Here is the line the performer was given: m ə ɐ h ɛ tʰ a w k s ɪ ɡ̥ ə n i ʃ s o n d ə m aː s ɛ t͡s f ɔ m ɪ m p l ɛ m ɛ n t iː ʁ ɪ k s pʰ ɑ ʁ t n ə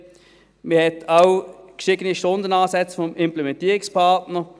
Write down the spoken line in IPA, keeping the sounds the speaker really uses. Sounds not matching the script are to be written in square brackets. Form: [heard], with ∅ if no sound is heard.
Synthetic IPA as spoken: m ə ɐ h ɛ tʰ a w k [ʃ] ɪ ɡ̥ ə n i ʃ [t] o n d ə [n] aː s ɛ t͡s f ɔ m ɪ m p l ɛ m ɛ n t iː ʁ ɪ k s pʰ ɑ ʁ t n ə

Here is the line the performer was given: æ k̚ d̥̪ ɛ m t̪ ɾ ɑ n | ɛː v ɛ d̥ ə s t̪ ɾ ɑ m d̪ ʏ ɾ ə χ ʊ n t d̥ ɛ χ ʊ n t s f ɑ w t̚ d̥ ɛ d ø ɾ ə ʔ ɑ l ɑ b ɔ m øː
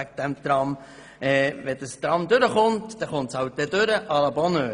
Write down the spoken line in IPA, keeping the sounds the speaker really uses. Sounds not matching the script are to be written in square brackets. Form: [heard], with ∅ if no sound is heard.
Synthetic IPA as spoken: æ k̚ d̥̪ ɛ m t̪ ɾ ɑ [m] | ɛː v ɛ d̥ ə s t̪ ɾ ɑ m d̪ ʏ ɾ ə χ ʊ n t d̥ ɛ χ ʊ n t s [h] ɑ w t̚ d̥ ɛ d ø ɾ ə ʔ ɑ l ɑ b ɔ [n] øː

